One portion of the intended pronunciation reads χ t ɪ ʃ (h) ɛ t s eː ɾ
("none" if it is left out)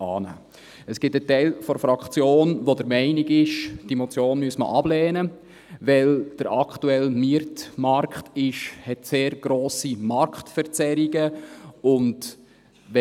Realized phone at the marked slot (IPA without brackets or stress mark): h